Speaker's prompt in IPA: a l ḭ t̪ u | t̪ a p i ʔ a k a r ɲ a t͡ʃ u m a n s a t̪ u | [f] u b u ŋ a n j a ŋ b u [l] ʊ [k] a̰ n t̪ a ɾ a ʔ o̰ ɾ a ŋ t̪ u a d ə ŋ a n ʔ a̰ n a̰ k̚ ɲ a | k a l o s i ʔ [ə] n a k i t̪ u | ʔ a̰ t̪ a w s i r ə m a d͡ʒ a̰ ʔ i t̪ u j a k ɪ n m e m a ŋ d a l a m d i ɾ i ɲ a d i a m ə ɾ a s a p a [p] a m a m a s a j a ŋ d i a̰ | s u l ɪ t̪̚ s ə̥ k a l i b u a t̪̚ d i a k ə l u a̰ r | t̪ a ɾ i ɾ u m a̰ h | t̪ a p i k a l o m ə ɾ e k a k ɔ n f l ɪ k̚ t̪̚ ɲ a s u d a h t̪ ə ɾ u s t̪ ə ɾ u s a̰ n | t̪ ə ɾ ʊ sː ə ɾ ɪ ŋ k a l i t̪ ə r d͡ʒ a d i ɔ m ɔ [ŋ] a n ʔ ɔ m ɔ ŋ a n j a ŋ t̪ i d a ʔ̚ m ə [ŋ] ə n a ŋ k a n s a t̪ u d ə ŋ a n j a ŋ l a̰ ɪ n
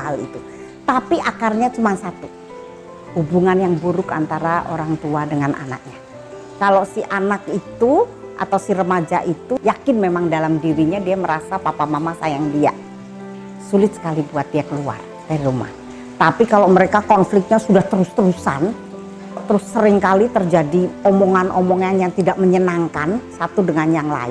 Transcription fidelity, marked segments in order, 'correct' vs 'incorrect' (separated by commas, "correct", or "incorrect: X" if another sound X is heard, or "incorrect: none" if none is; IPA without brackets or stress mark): incorrect: h, incorrect: ɾ, correct, incorrect: a, correct, correct, incorrect: ɲ